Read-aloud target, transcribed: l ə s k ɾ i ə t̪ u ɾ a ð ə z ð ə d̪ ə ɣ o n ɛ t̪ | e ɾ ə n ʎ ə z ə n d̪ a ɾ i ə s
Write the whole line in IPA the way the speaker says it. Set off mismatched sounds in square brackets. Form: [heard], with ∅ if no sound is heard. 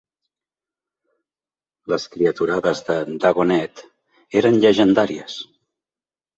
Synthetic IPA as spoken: l ə s k ɾ i ə t̪ u ɾ a ð ə z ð ə d̪ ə ɣ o n ɛ t̪ | e ɾ ə n ʎ ə [ʒ] ə n d̪ a ɾ i ə s